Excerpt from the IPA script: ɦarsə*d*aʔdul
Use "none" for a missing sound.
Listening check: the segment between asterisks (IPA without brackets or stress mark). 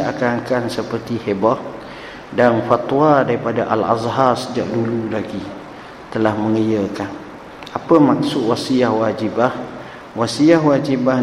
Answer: d͡ʒ